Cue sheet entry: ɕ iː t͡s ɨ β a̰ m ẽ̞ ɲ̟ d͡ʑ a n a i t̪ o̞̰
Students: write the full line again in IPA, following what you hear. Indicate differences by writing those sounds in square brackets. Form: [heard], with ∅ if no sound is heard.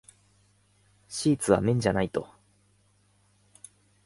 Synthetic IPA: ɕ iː t͡s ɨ β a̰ m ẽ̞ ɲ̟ d͡ʑ a n a i t̪ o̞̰